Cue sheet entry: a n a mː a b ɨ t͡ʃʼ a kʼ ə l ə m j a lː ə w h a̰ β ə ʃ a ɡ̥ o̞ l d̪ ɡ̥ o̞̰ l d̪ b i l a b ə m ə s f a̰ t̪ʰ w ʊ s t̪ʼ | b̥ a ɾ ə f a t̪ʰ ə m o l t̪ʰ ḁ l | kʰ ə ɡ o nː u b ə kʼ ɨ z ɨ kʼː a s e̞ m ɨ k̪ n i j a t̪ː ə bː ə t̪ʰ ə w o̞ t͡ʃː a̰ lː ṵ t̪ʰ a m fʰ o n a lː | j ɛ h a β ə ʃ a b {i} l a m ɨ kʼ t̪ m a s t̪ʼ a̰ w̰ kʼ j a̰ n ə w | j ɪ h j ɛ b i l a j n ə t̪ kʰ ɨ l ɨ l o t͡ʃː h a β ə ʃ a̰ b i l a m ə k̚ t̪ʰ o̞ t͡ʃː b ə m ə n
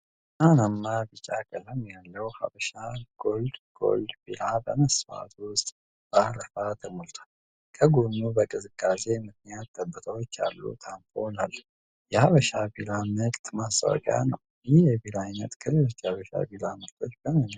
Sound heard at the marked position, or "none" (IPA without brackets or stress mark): i